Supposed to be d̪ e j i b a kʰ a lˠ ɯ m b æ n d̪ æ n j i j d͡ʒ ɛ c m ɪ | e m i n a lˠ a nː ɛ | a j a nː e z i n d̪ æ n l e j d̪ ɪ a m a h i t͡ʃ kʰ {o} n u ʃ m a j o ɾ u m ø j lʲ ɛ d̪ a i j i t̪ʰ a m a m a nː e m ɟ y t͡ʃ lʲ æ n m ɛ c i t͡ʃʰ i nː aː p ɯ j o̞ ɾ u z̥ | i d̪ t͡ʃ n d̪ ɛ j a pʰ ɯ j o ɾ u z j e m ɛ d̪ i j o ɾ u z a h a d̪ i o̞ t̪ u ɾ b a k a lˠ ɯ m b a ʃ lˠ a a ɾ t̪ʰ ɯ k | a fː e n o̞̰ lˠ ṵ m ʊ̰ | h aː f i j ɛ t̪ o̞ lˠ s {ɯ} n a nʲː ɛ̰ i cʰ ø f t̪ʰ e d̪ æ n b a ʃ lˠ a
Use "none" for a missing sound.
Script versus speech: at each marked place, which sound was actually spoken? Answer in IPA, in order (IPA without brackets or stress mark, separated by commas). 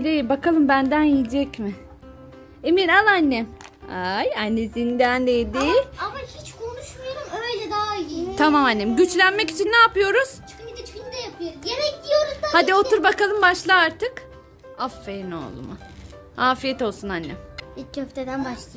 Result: o, u